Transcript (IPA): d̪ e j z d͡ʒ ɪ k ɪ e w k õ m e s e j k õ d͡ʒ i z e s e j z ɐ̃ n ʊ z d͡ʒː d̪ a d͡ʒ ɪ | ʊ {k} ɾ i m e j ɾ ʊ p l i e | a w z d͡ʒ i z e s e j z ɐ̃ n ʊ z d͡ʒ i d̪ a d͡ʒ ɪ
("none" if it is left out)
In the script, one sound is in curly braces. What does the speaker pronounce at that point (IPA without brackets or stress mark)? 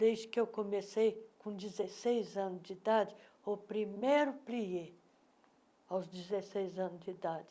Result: p